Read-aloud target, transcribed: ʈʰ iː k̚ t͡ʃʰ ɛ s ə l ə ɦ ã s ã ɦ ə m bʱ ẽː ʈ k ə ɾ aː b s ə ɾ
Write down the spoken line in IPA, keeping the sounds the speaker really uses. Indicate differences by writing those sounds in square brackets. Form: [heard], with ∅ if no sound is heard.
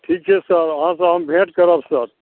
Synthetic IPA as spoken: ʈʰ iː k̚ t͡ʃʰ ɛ s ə [ɾ] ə ɦ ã s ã ɦ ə m bʱ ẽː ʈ k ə ɾ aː b s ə ɾ